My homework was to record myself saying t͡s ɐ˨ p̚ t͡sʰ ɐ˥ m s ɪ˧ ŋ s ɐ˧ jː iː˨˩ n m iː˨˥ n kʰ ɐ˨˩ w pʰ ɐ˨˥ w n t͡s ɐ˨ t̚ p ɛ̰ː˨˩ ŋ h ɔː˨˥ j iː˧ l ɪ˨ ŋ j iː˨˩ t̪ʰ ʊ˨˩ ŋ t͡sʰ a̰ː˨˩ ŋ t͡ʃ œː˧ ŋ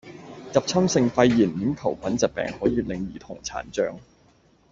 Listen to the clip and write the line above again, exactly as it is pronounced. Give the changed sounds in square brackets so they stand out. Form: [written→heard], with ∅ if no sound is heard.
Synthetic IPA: t͡s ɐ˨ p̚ t͡sʰ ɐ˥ m s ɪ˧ ŋ [s→f] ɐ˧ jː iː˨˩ n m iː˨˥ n kʰ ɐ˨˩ w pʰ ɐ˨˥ [w→∅] n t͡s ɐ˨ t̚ p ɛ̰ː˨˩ ŋ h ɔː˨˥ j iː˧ l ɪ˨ ŋ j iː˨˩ t̪ʰ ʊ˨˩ ŋ t͡sʰ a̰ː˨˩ [ŋ→n] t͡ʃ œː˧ ŋ